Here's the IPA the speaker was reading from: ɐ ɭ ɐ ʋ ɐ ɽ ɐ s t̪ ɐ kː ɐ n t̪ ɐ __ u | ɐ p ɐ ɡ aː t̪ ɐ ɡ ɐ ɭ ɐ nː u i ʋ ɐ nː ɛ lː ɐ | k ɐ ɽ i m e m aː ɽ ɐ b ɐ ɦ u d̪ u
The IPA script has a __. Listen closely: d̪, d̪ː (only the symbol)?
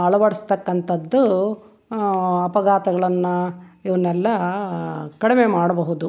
d̪ː